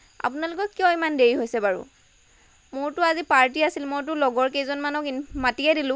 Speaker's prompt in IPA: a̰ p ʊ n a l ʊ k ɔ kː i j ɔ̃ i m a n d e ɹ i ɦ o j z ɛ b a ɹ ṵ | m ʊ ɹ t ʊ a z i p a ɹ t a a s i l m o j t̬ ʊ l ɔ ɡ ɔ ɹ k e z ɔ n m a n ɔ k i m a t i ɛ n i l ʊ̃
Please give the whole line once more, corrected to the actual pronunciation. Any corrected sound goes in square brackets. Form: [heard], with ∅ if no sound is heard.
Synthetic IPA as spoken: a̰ p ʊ n a l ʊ k ɔ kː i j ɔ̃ i m a n d e ɹ i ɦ o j [s] ɛ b a ɹ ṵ | m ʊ ɹ t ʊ a z i p a ɹ t [i] a s i l m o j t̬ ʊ l ɔ ɡ ɔ ɹ k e z ɔ n m a n ɔ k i m a t i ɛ [d] i l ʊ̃